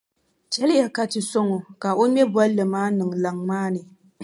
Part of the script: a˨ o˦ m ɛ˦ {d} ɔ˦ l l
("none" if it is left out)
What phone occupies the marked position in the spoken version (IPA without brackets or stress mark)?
b